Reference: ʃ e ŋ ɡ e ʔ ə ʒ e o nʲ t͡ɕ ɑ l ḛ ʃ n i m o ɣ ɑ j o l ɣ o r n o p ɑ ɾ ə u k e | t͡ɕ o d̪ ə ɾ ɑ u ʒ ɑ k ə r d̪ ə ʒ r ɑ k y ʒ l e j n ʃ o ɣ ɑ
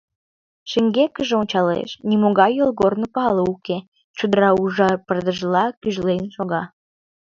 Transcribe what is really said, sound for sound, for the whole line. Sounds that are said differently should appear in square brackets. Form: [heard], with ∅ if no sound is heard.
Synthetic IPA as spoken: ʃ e ŋ ɡ e [k] ə ʒ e o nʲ t͡ɕ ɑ l ḛ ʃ n i m o ɣ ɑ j o l ɣ o r n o p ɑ [l] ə u k e | t͡ɕ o d̪ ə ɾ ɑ u ʒ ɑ [p] ə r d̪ ə ʒ [l] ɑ k y ʒ l e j n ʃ o ɣ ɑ